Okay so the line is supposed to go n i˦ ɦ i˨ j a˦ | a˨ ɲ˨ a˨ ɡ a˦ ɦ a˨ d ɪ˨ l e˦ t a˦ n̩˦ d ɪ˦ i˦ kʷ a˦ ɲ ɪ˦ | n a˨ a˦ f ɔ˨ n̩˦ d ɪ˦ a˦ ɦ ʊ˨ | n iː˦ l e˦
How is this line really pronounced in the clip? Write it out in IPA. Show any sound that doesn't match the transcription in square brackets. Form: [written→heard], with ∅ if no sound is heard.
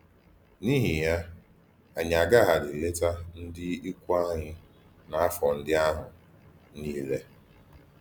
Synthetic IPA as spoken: n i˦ ɦ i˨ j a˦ | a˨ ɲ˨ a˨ ɡ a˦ ɦ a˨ d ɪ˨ l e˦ t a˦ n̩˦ d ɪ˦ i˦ kʷ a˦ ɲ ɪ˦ | n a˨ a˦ f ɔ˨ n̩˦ d ɪ˦ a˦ ɦ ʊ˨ | n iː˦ l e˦